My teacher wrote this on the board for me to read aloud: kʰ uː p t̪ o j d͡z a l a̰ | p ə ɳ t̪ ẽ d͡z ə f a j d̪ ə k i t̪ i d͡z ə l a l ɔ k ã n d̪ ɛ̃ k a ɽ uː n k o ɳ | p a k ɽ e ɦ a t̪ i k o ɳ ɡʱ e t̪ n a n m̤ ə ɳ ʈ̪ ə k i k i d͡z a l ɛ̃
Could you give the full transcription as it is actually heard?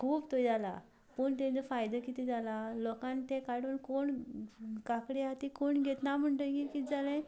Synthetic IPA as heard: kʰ uː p t̪ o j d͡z a l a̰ | p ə ɳ t̪ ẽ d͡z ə f a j d̪ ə k i t̪ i d͡z a l a l ɔ k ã n t̪ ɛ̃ k a ɽ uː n k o ɳ | k a k ɽ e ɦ a t̪ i k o ɳ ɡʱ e t̪ n a m̤ ə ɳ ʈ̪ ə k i k i d͡z a l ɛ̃